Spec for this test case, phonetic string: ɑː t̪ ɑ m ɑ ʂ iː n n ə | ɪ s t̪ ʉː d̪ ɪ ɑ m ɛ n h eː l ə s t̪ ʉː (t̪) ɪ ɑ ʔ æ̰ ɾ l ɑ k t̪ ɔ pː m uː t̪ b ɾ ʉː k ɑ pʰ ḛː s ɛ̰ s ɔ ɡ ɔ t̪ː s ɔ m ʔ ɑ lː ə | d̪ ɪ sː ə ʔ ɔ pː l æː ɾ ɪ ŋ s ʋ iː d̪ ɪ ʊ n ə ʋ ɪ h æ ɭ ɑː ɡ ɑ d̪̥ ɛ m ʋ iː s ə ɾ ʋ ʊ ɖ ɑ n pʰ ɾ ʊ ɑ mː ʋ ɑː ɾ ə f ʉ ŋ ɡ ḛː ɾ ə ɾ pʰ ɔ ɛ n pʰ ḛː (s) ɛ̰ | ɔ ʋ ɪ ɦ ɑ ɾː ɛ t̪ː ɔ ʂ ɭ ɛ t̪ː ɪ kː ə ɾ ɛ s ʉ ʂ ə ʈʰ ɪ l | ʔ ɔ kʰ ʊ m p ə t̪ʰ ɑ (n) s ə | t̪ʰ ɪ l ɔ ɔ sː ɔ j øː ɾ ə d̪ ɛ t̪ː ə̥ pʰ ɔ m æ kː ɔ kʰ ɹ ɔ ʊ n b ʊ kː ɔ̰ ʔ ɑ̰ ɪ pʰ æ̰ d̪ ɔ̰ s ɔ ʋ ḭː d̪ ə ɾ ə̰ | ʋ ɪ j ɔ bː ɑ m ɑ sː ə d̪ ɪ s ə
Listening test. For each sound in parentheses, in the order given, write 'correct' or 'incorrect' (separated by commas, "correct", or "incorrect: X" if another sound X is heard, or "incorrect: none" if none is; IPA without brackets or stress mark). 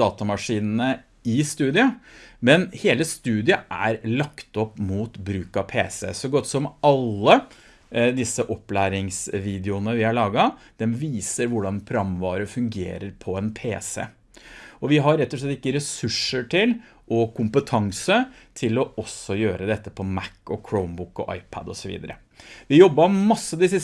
incorrect: d̪, correct, incorrect: ŋ